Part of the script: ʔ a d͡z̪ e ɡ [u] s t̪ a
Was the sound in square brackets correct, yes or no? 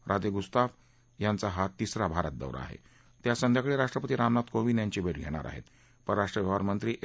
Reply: yes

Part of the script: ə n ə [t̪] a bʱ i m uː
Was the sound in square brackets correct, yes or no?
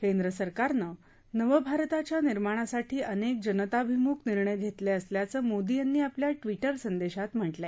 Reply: yes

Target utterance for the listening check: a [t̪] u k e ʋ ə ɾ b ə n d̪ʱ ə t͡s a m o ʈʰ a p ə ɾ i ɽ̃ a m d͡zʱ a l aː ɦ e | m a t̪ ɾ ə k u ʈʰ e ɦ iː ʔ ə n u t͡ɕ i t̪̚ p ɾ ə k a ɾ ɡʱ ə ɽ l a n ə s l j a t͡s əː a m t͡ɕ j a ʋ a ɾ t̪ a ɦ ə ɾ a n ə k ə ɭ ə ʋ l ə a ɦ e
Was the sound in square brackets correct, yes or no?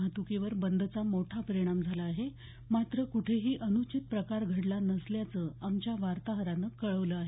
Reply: yes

